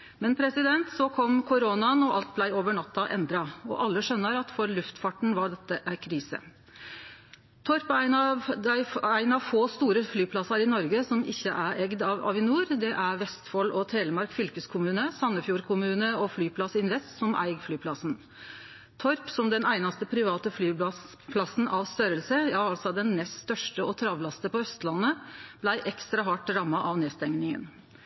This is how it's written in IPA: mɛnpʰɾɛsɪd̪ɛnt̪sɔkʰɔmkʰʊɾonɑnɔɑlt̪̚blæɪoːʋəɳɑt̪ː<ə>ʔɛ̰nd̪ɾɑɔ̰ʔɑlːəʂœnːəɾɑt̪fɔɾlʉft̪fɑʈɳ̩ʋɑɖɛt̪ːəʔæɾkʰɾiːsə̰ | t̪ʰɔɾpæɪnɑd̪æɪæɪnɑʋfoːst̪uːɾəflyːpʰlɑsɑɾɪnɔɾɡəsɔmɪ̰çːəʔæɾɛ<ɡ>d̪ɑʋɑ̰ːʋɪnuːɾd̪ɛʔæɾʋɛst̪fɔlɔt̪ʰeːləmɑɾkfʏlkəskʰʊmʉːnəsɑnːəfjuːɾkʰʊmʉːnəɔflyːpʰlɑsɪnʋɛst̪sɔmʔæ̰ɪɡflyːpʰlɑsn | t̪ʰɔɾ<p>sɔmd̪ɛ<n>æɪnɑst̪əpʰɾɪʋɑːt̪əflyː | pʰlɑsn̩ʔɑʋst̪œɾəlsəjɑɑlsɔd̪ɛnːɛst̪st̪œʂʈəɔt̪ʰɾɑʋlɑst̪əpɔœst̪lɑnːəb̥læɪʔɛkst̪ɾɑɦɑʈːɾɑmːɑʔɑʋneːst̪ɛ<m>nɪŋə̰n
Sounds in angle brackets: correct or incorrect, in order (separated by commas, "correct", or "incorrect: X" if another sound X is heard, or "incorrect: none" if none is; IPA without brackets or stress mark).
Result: incorrect: ɑ, correct, correct, correct, incorrect: ŋ